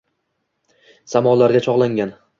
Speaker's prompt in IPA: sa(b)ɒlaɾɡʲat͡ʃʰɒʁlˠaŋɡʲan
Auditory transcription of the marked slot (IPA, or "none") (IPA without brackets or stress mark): m